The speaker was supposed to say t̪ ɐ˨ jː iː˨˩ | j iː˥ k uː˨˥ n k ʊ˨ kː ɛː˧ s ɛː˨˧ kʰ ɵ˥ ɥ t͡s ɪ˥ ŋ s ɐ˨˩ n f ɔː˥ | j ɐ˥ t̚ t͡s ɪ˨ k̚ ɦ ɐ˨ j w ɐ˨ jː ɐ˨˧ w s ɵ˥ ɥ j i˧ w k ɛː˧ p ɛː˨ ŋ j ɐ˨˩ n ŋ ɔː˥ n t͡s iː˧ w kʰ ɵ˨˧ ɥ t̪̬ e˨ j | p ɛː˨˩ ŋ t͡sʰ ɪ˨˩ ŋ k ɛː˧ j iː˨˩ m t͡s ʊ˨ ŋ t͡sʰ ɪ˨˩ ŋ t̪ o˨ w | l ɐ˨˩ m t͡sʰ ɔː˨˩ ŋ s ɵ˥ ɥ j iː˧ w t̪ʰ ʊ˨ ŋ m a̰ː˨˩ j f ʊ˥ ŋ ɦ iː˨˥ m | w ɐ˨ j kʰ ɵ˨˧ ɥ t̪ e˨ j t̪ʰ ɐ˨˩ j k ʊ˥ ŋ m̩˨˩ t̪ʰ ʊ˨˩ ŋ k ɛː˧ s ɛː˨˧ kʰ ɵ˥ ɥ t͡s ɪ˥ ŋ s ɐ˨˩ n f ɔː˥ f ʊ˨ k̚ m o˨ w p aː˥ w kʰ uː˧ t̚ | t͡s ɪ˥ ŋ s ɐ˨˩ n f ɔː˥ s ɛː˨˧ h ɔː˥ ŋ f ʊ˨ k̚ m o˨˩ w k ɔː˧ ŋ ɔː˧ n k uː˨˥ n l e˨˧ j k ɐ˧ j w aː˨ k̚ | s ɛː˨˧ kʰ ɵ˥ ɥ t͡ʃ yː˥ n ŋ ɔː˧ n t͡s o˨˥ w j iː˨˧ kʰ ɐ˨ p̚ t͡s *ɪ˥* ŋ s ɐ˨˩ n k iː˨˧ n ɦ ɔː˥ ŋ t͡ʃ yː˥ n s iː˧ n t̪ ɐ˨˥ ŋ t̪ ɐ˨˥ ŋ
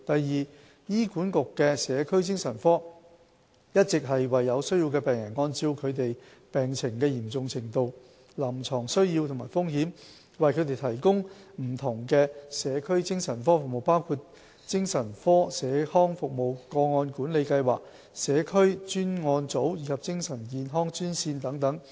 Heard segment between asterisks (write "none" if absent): ɪ˥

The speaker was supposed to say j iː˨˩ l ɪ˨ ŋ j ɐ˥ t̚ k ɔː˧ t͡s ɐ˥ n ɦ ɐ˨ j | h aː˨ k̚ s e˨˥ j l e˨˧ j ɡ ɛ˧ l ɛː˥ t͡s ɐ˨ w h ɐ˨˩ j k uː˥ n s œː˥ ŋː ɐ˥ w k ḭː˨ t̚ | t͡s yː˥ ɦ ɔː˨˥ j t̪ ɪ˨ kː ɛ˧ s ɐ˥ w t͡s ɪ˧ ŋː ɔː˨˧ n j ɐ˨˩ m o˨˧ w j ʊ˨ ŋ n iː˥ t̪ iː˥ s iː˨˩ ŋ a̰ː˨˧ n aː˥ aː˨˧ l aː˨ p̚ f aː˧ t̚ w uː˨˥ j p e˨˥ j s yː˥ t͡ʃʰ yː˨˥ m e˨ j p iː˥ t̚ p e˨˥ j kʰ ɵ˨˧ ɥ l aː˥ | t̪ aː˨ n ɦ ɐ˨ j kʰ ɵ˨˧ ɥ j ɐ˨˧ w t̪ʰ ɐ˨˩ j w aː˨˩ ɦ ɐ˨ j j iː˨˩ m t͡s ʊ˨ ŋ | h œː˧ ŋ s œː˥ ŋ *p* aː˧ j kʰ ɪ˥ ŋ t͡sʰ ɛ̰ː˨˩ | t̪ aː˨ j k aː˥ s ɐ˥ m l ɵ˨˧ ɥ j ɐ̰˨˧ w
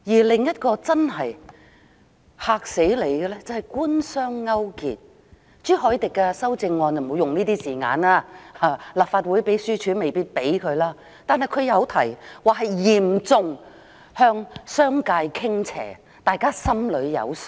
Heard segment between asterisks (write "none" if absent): k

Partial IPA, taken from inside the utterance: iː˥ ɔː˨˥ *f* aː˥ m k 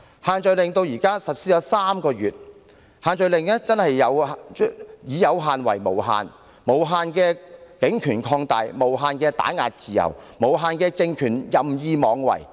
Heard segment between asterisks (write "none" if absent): s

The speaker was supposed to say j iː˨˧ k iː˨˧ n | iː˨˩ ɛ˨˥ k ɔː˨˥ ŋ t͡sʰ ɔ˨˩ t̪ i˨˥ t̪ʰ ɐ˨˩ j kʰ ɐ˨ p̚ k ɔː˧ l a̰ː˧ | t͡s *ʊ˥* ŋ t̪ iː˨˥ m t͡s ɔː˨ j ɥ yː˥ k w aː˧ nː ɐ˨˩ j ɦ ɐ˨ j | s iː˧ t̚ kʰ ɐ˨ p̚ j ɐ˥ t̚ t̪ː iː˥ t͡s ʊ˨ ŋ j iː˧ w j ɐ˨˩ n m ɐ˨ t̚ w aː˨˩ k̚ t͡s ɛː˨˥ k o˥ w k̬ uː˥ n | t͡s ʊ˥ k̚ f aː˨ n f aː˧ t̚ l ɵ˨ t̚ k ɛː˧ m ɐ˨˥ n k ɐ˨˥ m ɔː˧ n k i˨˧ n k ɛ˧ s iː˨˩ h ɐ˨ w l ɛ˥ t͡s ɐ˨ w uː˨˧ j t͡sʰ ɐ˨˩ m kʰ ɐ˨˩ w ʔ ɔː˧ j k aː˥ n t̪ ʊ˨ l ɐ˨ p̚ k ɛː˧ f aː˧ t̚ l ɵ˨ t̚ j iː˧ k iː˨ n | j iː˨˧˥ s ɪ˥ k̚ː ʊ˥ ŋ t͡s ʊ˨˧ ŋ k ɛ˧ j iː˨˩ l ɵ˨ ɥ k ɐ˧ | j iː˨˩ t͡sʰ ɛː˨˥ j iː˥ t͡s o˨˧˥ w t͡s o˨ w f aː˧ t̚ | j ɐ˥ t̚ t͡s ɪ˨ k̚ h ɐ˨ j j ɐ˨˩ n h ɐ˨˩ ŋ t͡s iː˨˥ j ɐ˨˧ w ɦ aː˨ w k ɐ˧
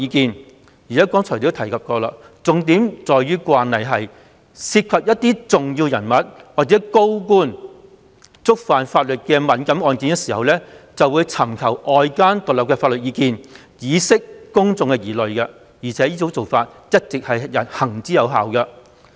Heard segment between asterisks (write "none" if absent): ʊ˨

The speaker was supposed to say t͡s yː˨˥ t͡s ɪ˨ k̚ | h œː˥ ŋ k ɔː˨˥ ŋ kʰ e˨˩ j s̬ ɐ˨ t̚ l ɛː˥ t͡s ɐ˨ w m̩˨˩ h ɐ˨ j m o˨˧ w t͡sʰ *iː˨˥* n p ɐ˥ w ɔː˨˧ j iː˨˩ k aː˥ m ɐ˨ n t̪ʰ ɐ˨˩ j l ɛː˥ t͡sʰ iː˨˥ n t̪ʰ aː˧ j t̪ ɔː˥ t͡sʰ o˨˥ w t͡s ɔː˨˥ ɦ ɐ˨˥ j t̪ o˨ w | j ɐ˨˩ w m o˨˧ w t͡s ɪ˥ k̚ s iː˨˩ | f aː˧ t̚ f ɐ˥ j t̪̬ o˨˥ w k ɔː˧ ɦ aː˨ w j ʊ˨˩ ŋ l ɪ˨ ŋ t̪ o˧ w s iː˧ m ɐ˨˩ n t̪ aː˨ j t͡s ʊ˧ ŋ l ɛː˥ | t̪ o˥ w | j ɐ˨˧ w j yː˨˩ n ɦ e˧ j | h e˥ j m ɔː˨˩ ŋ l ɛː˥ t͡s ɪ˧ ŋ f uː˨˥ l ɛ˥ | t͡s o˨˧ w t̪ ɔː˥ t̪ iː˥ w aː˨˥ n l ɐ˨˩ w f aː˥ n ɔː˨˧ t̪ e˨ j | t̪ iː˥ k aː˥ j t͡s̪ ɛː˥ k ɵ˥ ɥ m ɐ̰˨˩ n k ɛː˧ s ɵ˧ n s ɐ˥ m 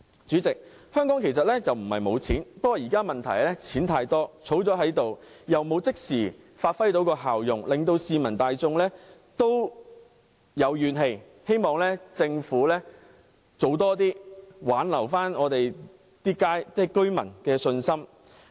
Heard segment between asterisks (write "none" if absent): iː˨˥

